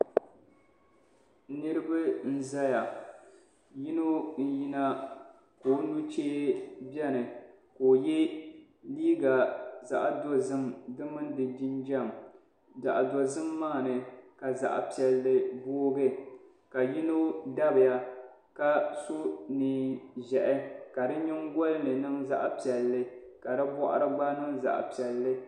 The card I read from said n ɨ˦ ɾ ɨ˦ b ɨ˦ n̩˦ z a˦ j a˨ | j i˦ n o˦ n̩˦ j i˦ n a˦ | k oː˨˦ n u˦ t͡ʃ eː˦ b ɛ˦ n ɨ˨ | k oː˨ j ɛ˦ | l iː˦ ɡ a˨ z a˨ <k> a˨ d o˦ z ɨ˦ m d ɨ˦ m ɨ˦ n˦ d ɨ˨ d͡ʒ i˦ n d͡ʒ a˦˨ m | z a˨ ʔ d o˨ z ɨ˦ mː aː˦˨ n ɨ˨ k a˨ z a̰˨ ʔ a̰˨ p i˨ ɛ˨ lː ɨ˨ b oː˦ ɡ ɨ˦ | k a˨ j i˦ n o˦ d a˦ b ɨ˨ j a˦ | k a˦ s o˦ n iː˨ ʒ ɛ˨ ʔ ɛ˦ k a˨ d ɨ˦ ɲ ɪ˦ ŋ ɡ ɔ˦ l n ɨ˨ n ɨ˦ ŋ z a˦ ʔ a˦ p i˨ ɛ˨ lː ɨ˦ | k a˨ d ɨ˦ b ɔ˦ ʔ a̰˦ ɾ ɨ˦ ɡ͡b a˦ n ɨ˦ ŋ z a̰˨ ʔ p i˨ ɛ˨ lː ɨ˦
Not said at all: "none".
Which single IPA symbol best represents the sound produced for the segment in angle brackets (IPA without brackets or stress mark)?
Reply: ʔ